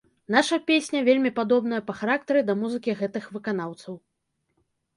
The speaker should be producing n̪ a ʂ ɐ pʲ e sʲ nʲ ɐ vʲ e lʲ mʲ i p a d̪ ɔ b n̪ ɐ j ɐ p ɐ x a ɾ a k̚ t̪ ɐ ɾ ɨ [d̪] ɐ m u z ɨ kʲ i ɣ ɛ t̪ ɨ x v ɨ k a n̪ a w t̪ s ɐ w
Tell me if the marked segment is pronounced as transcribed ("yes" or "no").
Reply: yes